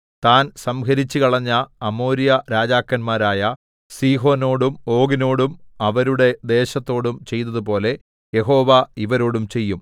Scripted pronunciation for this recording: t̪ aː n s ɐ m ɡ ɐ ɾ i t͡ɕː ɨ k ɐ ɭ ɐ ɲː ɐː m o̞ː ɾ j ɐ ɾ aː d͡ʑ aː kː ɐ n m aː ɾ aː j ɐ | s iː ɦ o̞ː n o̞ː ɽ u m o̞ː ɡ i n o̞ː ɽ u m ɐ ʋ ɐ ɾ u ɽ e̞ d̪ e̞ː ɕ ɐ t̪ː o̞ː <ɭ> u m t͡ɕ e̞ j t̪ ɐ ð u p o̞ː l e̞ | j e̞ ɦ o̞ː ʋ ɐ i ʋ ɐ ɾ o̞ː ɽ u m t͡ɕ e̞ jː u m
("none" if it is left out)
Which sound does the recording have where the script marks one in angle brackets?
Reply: ɽ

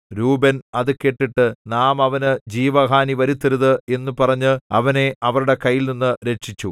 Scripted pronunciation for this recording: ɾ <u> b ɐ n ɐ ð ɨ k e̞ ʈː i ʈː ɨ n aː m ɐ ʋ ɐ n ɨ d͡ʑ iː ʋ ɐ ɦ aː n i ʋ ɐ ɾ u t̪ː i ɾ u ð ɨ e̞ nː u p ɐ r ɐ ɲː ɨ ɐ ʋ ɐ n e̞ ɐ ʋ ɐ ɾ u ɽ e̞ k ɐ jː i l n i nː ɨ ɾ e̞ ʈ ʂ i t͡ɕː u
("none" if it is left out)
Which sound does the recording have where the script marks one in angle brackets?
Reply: uː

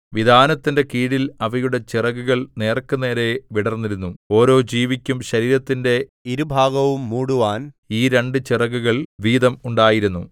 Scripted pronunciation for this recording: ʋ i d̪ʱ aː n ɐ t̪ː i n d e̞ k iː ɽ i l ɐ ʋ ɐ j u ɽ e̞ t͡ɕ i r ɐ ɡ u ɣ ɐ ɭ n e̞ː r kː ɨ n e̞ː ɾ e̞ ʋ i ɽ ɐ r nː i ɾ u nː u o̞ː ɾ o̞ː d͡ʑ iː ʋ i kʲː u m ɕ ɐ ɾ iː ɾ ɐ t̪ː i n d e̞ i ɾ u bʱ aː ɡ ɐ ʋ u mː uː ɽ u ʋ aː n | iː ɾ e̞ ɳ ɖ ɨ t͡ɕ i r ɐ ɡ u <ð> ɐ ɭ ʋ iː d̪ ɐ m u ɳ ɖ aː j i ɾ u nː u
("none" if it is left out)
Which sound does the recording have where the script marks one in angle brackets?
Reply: ɣ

